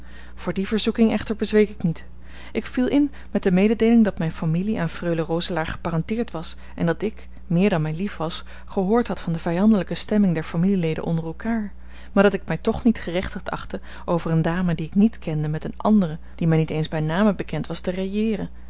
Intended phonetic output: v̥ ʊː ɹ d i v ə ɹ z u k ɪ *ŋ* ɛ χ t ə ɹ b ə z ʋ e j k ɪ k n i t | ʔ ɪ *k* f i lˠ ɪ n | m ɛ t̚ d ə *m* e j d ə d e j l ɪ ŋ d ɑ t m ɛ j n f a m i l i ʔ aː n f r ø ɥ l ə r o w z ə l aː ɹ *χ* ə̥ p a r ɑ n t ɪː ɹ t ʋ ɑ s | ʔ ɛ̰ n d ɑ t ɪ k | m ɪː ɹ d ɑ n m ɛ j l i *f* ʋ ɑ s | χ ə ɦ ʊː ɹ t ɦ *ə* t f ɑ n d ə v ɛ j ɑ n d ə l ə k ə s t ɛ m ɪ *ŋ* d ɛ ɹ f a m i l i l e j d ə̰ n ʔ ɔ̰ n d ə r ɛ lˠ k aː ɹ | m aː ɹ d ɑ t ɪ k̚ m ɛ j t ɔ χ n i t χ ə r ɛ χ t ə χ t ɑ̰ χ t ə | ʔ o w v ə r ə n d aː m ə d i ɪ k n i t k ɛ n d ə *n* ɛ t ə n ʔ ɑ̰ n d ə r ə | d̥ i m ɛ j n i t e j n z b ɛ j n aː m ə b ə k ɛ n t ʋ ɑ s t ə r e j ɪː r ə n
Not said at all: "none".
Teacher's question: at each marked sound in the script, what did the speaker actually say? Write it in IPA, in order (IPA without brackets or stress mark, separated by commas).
ŋ, k, m, χ, f, ɑ, ŋ, m